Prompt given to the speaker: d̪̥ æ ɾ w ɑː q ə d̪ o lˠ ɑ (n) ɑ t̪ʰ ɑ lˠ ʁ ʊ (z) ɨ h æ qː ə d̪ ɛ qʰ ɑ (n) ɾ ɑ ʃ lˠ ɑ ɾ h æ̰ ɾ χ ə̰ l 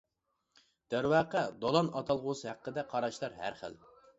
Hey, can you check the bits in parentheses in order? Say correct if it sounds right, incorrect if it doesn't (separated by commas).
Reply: correct, incorrect, incorrect